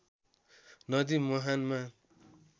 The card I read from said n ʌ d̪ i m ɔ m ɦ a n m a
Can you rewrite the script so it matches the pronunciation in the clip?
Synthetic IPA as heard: n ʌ d̪ i m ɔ ɦ a n m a